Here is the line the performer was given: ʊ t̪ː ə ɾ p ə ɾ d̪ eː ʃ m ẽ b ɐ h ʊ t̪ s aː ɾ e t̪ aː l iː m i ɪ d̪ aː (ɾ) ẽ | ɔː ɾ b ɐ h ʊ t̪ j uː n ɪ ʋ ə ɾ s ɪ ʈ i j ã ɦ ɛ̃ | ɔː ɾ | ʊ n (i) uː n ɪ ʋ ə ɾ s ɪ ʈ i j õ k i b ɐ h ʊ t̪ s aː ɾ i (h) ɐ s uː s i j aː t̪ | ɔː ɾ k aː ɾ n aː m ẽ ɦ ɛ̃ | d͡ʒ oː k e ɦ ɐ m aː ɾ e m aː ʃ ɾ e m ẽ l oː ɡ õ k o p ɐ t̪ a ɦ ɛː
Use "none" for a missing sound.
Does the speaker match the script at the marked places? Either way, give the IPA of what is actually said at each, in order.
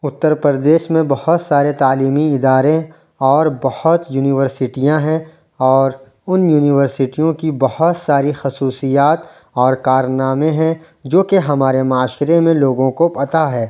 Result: ɾ, j, x

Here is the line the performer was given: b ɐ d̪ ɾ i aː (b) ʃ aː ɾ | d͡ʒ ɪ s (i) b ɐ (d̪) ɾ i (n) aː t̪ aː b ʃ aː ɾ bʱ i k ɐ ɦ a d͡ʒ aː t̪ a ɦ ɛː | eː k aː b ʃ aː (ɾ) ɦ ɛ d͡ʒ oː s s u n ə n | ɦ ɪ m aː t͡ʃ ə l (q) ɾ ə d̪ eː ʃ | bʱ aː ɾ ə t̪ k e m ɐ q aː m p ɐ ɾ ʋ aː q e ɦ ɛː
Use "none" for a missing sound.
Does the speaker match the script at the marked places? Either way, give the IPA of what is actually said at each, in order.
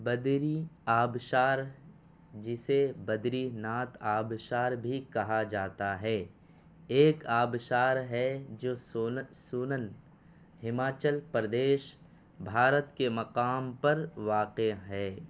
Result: b, e, d̪, n, ɾ, p

